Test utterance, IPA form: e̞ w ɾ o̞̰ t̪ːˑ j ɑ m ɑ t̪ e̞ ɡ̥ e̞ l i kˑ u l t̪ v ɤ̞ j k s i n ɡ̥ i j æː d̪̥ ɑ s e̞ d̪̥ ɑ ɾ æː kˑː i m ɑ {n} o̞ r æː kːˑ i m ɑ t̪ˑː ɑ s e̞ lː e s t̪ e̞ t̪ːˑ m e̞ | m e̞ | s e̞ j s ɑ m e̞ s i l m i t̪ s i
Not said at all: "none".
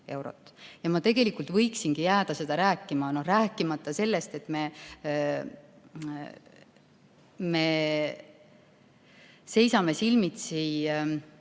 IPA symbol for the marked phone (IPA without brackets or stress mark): n